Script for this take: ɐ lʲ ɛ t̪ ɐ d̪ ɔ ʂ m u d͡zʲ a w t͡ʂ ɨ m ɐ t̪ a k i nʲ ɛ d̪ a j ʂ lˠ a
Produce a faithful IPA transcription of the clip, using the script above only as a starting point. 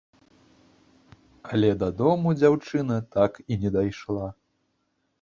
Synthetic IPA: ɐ lʲ ɛ d̪ ɐ d̪ ɔ m u d͡zʲ a w t͡ʂ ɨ n ɐ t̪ a k i nʲ ɛ d̪ a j ʂ lˠ a